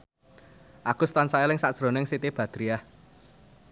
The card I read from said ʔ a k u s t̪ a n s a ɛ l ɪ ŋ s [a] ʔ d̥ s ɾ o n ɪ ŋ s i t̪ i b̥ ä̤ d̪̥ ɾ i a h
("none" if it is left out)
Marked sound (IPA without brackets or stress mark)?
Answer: a